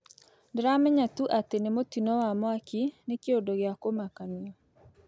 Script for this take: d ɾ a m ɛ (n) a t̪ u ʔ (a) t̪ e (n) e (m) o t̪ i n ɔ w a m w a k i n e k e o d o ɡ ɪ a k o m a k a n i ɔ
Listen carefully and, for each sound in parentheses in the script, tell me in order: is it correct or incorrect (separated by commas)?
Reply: incorrect, correct, correct, correct